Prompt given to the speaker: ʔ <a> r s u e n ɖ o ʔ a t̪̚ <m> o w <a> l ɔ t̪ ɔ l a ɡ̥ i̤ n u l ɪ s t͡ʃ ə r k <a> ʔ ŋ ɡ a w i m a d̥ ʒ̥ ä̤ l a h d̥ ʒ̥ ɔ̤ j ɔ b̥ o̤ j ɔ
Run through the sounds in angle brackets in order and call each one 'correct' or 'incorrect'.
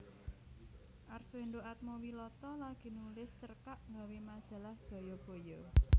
correct, correct, incorrect: i, correct

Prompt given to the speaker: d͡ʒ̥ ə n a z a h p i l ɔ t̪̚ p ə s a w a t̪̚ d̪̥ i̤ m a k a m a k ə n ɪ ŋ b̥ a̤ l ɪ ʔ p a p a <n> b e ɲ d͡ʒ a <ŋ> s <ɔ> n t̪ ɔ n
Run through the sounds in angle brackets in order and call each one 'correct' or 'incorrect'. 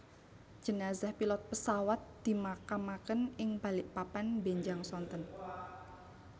correct, correct, correct

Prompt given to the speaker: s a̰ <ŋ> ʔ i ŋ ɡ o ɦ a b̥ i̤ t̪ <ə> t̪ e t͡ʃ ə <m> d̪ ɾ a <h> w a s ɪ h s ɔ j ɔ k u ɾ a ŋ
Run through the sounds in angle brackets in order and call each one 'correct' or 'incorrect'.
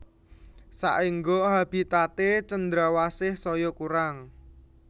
incorrect: none, incorrect: a, incorrect: n, incorrect: none

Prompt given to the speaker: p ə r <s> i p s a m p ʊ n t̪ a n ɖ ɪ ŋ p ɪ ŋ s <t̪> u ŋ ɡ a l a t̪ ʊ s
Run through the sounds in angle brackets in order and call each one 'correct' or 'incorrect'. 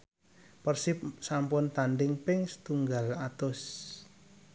correct, correct

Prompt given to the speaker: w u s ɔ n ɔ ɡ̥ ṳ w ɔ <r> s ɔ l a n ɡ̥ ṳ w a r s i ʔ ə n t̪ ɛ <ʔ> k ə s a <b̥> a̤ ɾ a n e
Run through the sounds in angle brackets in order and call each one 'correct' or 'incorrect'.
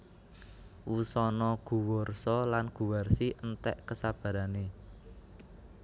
correct, correct, correct

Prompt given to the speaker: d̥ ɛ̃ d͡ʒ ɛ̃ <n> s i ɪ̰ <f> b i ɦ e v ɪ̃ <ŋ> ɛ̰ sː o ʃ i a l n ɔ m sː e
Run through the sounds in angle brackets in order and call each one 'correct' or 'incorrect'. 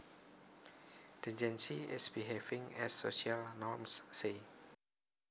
correct, incorrect: s, correct

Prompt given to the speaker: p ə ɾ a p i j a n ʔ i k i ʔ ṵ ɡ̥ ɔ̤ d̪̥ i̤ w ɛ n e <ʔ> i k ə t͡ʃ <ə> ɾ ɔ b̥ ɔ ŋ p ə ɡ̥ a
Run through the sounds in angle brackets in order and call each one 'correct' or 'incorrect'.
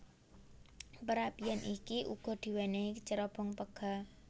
incorrect: none, correct

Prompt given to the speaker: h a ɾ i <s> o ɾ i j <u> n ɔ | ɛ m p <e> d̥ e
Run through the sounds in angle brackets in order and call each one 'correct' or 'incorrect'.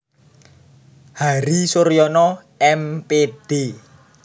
correct, incorrect: ɔ, correct

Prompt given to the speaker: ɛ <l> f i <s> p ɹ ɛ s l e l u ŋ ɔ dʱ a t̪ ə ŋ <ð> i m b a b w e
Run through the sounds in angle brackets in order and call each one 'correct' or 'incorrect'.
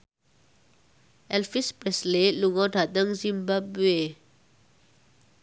correct, correct, incorrect: z

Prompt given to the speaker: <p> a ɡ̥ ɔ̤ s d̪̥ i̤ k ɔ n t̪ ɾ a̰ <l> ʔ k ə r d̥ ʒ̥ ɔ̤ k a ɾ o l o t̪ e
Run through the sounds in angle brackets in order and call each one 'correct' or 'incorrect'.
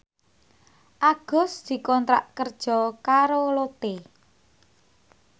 incorrect: ʔ, incorrect: none

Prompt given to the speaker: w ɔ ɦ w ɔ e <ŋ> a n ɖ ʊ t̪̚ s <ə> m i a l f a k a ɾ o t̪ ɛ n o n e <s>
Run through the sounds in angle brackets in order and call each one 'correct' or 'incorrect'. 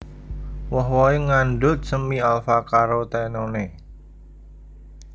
correct, correct, incorrect: none

